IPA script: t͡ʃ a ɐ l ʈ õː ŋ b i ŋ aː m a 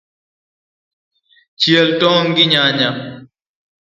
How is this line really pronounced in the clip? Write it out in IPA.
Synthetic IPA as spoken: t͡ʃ i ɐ l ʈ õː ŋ ɡ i ɲ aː ɲ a